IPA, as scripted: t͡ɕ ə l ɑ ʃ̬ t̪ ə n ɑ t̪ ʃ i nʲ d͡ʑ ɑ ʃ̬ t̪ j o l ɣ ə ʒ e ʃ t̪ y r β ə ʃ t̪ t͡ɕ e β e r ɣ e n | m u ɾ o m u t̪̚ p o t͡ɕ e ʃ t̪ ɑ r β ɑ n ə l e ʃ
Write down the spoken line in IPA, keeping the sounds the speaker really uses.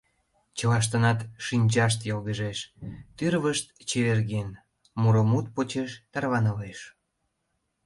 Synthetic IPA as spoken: t͡ɕ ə l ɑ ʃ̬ t̪ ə n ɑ t̪ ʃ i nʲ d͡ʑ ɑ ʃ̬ t̪ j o l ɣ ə ʒ e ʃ t̪ y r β ə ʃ t̪ t͡ɕ e β e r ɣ e n | m u ɾ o m u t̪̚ p o t͡ɕ e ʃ t̪ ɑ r β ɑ n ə l e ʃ